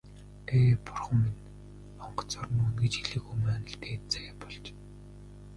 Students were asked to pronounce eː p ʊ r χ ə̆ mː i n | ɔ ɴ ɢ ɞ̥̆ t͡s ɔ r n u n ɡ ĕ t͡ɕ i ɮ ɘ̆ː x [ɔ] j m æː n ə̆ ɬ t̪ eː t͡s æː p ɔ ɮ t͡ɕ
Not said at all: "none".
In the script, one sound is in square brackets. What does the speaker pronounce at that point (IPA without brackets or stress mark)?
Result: u